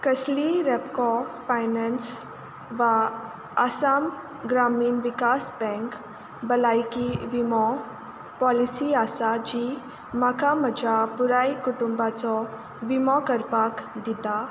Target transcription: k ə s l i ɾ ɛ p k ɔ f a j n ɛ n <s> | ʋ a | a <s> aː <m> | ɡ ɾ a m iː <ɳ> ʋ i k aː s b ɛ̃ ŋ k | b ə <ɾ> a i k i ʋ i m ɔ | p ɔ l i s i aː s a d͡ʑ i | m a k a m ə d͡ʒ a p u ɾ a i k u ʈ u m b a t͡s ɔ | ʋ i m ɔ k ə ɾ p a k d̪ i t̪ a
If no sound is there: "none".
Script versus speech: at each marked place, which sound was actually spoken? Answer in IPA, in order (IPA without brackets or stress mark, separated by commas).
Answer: s, s, m, n, l